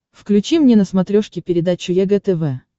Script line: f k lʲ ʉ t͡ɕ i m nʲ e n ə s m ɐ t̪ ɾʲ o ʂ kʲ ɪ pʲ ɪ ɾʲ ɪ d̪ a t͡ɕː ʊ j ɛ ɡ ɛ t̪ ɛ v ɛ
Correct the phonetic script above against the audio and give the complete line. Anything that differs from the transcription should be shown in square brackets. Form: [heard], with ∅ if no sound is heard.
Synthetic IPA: f k lʲ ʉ t͡ɕ i m nʲ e n ə s m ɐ t̪ ɾʲ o ʂ kʲ ɪ pʲ ɪ ɾʲ ɪ d̪ a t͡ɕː ʊ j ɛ ɡ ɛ t̪ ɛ v ɛ